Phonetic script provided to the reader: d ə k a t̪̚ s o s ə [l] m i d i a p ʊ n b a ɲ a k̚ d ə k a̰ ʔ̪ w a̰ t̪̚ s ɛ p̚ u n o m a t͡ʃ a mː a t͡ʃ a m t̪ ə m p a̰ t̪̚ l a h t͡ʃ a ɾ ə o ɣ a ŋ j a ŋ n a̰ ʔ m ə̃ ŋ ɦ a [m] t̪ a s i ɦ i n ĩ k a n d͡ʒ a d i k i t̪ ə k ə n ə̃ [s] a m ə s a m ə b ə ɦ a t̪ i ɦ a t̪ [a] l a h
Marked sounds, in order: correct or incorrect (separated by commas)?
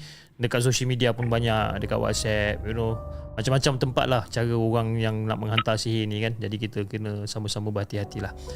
correct, incorrect, correct, incorrect